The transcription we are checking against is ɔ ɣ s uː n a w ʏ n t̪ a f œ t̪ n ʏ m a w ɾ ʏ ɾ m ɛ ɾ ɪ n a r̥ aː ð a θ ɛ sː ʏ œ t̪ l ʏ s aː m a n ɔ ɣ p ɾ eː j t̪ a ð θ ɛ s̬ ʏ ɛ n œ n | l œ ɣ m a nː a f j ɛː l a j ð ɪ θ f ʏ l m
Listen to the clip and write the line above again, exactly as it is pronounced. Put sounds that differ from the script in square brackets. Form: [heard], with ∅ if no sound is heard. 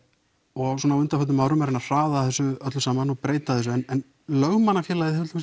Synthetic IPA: ɔ ɣ s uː n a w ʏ n t̪ a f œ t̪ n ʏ m a w ɾ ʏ [∅] m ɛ ɾ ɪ n a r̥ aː ð a θ ɛ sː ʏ œ t̪ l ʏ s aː m a n ɔ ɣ p ɾ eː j t̪ a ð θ ɛ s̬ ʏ ɛ n [ɛ] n | l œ ɣ m a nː a f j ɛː l a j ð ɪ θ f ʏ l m

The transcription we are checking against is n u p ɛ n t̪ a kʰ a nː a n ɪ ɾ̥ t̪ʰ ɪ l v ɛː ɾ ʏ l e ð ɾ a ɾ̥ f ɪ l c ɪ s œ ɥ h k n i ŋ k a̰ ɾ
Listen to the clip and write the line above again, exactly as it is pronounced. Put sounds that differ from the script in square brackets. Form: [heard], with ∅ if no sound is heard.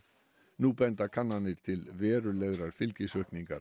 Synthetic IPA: n u p ɛ n t̪ a kʰ a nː a n ɪ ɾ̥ t̪ʰ ɪ l v ɛː ɾ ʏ l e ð ɾ a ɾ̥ f ɪ l c ɪ s œ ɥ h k n i ŋ k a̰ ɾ

